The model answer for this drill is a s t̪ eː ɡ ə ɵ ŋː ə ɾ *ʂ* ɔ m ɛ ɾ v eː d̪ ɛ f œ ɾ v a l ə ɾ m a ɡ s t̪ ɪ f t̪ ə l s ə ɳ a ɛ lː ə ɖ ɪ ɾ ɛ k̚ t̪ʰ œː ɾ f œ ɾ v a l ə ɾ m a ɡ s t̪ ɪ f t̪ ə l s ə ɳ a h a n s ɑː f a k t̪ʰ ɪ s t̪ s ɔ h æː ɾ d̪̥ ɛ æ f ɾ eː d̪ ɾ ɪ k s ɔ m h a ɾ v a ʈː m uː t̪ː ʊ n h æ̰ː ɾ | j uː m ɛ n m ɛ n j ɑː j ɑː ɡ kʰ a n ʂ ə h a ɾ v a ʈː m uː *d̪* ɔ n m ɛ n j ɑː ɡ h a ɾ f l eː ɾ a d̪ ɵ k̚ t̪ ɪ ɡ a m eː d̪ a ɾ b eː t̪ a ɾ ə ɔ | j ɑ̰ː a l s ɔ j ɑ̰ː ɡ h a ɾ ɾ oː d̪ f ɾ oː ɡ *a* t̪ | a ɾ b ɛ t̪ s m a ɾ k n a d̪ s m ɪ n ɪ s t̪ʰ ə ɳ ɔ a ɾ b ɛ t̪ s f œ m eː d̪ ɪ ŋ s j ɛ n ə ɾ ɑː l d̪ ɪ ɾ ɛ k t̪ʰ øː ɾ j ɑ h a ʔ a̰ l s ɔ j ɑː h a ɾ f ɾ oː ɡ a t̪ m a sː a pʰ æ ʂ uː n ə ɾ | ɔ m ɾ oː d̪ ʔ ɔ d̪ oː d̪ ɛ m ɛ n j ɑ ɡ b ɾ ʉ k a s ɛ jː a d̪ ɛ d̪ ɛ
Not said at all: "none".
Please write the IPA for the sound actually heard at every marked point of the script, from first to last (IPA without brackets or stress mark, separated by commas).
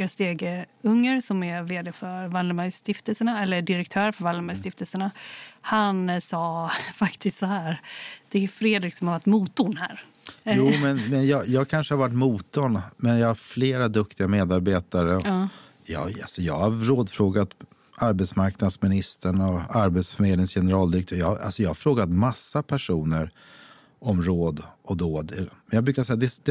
s, t̪, a